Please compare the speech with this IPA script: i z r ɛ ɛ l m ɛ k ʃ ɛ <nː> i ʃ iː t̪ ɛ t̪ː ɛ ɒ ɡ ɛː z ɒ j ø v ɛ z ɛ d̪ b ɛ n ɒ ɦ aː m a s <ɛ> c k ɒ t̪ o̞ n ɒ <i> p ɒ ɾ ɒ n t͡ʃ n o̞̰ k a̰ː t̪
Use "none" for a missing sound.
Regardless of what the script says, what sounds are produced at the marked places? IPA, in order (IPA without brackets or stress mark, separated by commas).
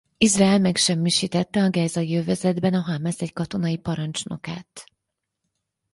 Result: mː, ɛ, i